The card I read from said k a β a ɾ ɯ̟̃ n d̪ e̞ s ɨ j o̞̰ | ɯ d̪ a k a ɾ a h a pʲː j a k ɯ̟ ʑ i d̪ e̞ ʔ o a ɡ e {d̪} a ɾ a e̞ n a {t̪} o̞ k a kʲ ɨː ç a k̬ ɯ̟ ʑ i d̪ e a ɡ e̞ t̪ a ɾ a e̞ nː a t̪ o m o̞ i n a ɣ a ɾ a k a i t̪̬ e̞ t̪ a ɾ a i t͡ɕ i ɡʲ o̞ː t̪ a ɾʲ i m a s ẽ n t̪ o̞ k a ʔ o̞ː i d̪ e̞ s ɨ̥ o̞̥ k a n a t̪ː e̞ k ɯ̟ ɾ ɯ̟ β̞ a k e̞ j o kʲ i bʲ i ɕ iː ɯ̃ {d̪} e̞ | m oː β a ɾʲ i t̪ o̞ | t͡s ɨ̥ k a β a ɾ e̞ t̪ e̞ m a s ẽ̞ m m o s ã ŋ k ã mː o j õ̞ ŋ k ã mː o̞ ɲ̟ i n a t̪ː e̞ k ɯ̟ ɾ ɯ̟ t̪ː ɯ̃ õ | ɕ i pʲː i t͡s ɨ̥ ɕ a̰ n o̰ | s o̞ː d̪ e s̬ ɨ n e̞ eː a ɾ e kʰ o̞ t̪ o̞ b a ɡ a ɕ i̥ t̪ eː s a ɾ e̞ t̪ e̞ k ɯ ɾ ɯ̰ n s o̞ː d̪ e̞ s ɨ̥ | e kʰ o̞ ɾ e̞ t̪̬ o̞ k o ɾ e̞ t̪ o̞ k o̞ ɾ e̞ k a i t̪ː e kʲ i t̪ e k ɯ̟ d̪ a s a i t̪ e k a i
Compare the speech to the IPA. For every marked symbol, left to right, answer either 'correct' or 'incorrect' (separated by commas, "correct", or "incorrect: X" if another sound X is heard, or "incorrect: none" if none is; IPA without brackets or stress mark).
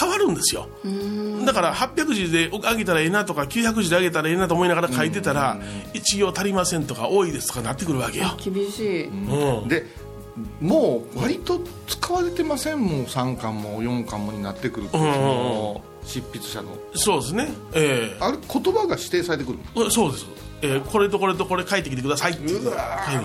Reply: incorrect: t̪, correct, correct